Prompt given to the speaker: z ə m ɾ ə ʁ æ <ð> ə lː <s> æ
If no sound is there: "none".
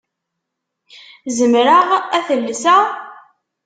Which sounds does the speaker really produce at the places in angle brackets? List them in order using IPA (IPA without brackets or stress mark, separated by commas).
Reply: θ, s